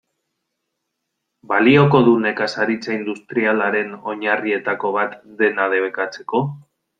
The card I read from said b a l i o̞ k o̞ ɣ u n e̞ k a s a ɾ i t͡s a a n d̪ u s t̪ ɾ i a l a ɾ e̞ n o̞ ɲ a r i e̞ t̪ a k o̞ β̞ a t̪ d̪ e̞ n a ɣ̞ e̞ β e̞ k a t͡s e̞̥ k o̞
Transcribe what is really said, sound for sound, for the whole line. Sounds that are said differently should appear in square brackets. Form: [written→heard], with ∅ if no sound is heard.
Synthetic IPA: b a l i o̞ k o̞ [ɣ→ð] u n e̞ k a s a ɾ i t͡s a [a→i] n d̪ u s t̪ ɾ i a l a ɾ e̞ n o̞ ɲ a r i e̞ t̪ a k o̞ β̞ a t̪ d̪ e̞ n a [ɣ̞→ð̞] e̞ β e̞ k a t͡s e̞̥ k o̞